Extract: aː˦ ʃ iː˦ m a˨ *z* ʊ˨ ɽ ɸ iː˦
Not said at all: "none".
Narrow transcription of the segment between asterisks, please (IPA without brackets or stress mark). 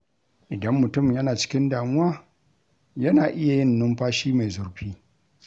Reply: z